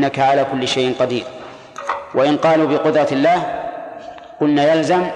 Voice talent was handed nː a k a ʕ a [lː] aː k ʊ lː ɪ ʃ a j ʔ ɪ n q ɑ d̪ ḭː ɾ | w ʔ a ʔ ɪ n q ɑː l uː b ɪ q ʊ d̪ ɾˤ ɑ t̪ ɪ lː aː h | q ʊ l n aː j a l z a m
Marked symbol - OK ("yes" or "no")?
no